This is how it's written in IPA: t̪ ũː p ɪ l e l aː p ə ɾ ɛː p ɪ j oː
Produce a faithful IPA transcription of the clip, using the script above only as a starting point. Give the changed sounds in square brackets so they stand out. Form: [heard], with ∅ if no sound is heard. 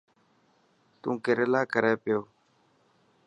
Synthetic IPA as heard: t̪ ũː [k] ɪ [ɾ] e l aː [k] ə ɾ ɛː p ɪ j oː